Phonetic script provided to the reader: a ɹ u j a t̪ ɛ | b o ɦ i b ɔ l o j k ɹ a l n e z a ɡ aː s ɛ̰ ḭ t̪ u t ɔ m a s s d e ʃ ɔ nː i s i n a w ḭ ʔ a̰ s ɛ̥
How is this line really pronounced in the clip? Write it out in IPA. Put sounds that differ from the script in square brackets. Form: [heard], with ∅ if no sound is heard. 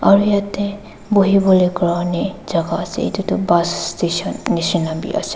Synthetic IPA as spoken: a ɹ u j a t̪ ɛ | b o ɦ i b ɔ l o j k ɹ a [∅] n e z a ɡ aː s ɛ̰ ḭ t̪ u t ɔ [b] a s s [t] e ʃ ɔ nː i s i n a [b] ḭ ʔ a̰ s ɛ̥

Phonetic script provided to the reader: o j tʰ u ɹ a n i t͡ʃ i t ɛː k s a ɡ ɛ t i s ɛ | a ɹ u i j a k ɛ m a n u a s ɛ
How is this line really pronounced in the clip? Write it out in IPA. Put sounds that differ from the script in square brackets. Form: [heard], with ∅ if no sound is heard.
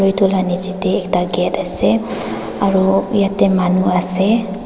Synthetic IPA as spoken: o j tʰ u [l] a n i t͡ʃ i t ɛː k [t] a ɡ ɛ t [a] s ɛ | a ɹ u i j a [t] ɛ m a n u a s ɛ

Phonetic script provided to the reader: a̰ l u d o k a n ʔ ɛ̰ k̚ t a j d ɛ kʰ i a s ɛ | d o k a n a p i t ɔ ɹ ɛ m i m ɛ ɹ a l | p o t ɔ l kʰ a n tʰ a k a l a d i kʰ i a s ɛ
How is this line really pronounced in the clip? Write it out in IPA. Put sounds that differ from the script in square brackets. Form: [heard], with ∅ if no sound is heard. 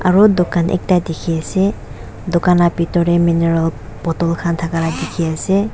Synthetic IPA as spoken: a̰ [ɹ] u d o k a n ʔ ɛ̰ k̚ t a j d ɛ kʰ i a s ɛ | d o k a n a p i t ɔ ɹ ɛ m i [n] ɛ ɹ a l | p [ɔ] t ɔ l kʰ a n tʰ a k a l a d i kʰ i a s ɛ

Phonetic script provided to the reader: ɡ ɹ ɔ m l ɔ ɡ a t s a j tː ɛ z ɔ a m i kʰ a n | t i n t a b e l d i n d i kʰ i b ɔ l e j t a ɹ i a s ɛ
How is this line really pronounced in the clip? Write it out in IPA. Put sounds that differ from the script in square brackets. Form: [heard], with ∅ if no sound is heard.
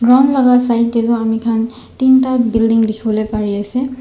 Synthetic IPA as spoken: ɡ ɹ ɔ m l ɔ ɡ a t s a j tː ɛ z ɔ a m i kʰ a n | t i n t a b [i] l d i [ŋ] d i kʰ i b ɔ l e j [p] a ɹ i a s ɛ

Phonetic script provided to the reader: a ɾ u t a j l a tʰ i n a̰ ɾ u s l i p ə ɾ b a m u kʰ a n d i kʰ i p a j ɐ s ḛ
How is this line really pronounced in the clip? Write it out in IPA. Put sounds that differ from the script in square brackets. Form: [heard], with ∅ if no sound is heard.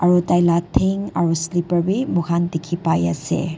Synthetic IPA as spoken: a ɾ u t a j l a tʰ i [ŋ] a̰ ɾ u s l i p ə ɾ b [i] m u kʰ a n d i kʰ i p a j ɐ s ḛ

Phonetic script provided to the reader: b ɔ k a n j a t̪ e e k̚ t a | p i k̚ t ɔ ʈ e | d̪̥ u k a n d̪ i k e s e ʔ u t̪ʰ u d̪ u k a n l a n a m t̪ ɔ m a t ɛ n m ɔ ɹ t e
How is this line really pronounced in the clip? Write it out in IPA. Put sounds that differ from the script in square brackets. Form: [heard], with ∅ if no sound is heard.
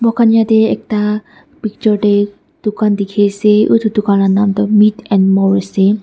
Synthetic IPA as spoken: b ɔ k a n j a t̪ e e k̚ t a | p i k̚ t ɔ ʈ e | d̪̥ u k a n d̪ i [kʰ] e s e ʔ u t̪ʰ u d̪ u k a n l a n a m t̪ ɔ m [i] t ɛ n m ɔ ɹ [s] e

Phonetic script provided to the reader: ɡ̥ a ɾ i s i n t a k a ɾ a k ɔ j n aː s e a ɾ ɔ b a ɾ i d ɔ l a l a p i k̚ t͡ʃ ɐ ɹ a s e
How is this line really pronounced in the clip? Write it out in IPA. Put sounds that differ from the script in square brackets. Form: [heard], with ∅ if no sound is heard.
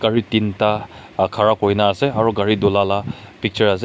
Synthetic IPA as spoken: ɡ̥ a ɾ i [t] i n t a [kʰ] a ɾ a k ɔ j n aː s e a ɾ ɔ [ɡ] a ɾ i d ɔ l a l a p i k̚ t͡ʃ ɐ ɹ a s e

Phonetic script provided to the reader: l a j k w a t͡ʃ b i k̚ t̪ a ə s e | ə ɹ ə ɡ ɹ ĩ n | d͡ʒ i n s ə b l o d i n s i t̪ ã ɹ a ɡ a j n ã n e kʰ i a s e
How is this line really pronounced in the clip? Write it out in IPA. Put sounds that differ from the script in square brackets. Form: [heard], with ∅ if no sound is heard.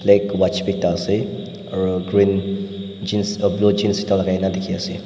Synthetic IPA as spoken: l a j k w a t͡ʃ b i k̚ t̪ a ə s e | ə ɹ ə ɡ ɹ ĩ n | d͡ʒ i n s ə b l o [d͡ʒ] i n s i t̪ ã [l] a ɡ a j n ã [d] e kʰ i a s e

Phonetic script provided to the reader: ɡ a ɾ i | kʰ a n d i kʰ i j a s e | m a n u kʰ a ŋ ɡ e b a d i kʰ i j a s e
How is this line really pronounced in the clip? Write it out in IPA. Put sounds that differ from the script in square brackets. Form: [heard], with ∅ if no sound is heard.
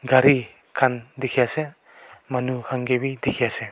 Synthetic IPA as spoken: ɡ a ɾ i | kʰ a n d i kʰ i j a s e | m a n u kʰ a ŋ ɡ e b [i] d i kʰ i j a s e

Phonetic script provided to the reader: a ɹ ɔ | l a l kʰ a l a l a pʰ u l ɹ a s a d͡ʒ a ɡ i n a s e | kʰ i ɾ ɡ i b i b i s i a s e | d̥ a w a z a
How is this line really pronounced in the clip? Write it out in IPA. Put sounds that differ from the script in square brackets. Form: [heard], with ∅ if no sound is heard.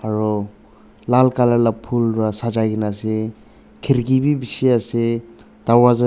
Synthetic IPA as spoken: a ɹ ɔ | l a l [k] a l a l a pʰ u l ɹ a s a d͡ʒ a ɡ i n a s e | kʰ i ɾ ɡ i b i b i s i a s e | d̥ a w a z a

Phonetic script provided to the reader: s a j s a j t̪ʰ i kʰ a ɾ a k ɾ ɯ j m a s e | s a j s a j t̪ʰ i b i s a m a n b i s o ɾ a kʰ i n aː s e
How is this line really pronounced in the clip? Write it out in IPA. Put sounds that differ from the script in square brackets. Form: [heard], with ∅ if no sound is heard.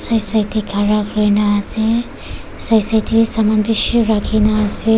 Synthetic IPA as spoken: s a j s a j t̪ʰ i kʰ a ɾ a k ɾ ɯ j [n] a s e | s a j s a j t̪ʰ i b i s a m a n b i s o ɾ a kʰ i n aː s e

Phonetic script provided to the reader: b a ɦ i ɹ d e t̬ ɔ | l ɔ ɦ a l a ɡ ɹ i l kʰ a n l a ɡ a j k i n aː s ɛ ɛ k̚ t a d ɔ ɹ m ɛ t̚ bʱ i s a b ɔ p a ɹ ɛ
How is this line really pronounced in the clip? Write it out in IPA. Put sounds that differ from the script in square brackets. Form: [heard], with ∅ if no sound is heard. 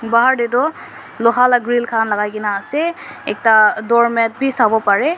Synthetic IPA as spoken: b a ɦ [a] ɹ d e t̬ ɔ | l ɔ ɦ a l a ɡ ɹ i l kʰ a n l a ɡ a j k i n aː s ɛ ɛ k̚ t a d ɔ ɹ m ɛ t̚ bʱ i s a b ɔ p a ɹ ɛ

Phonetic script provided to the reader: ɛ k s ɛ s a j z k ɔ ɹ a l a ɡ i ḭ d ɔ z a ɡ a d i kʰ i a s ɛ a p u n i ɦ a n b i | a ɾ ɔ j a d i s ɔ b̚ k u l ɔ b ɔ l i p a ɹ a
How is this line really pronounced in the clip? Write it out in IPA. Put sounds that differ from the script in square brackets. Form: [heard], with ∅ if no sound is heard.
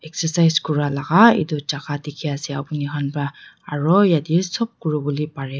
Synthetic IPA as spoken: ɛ k s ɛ s a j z k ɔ ɹ a l a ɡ [a] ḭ d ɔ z a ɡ a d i kʰ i a s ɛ a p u n i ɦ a n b [a] | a [ɹ] ɔ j a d i s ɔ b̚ k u [ɹ] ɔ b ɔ l i p a ɹ [ɛ]

